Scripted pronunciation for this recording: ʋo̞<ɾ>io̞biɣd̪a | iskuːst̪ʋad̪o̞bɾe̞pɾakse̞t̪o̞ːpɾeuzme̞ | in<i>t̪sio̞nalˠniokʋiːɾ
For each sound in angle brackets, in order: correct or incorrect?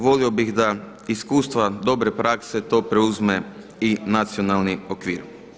incorrect: l, incorrect: a

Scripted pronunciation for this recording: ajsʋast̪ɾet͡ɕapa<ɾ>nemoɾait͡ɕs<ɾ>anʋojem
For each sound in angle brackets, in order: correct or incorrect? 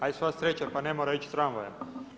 incorrect: none, correct

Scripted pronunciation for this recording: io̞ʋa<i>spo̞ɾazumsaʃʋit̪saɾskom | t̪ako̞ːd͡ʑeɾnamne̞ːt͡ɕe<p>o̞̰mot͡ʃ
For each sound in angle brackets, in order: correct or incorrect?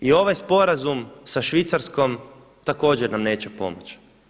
incorrect: j, correct

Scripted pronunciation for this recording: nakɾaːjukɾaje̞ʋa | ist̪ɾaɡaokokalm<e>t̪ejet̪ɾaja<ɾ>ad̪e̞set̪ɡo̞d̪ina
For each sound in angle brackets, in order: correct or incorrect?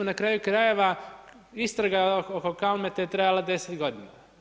correct, incorrect: l

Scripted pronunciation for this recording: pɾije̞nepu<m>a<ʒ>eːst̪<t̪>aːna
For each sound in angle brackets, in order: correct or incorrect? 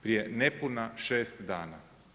incorrect: n, incorrect: ʃ, incorrect: d̪

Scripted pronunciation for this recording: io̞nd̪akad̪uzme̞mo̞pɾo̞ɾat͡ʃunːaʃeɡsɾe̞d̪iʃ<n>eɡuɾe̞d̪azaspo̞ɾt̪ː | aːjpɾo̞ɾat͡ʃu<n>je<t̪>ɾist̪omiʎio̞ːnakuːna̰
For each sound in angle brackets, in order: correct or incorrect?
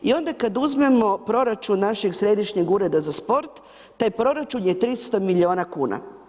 incorrect: ɲ, correct, correct

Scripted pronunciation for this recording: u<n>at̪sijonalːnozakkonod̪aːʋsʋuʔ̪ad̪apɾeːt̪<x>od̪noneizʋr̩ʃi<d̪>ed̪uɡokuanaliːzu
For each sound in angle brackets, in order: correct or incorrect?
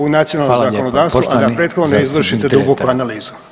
correct, correct, incorrect: t̪

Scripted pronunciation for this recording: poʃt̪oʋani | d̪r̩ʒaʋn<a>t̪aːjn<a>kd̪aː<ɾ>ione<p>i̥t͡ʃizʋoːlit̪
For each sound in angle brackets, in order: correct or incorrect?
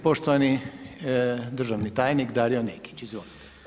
incorrect: i, incorrect: i, correct, incorrect: k

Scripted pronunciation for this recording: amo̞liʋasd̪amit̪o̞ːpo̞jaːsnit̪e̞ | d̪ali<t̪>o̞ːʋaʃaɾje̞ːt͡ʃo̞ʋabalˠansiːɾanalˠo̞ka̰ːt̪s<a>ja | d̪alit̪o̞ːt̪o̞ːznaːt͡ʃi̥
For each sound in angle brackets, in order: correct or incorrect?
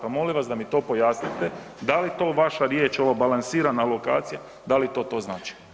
correct, incorrect: i

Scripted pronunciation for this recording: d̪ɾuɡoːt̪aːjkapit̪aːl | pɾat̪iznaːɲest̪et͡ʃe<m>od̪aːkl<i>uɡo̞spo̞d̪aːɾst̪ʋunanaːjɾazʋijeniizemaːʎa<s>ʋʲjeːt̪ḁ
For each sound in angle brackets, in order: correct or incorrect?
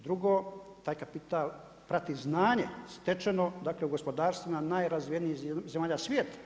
incorrect: n, incorrect: e, correct

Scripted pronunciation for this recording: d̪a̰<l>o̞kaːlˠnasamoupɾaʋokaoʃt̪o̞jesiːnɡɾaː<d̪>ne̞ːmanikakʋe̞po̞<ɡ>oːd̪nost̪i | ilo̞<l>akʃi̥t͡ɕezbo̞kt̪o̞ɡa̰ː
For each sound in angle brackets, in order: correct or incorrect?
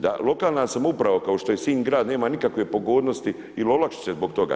correct, correct, correct, correct

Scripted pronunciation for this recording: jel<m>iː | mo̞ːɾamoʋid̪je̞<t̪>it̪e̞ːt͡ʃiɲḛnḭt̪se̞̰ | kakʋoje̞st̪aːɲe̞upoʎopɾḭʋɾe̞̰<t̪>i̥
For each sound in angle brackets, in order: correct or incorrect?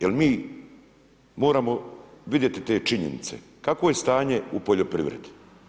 correct, correct, incorrect: d̪

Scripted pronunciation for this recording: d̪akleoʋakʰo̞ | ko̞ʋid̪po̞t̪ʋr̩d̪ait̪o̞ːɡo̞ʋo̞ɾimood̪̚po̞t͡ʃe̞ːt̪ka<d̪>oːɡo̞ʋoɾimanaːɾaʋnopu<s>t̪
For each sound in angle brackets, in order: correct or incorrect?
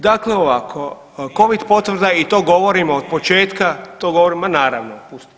incorrect: t̪, correct

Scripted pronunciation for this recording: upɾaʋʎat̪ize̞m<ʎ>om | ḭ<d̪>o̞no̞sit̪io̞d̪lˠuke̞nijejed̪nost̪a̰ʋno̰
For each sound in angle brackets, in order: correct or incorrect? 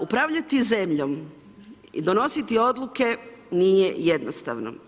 correct, correct

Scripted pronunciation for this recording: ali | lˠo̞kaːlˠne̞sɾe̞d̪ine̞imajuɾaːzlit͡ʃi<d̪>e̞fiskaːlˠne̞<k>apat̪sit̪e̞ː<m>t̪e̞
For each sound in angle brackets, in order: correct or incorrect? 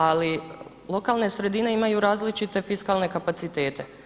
incorrect: t̪, correct, incorrect: none

